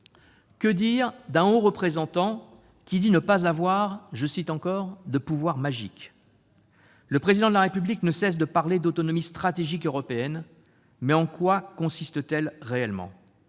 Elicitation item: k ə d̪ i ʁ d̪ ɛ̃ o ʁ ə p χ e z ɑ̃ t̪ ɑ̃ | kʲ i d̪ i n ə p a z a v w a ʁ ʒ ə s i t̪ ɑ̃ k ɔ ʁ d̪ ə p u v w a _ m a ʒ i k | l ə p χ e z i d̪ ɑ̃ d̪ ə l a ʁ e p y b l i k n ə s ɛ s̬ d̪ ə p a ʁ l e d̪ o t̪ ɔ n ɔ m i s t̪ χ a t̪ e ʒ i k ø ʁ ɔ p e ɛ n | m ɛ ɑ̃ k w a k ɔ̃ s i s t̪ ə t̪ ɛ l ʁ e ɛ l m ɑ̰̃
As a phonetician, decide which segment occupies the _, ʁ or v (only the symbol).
ʁ